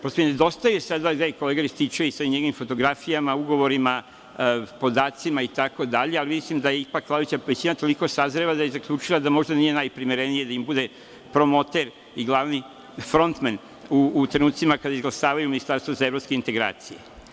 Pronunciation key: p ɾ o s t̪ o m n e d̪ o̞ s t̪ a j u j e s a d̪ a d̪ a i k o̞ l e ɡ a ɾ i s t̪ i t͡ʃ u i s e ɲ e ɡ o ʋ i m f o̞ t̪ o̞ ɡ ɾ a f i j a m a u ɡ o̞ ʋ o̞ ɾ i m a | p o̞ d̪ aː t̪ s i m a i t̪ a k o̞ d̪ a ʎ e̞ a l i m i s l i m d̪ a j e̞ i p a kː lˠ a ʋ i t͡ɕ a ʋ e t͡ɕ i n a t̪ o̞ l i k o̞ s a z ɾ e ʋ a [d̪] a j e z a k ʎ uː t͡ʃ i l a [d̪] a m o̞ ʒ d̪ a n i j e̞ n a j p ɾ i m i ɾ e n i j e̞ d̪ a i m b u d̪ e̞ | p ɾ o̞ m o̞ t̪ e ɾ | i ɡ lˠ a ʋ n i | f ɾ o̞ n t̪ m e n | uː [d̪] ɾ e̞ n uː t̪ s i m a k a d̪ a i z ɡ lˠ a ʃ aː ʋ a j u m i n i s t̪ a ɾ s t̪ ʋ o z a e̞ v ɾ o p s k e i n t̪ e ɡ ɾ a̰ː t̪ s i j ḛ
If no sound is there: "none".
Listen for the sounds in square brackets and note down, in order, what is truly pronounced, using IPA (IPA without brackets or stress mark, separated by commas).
d̪, d̪, t̪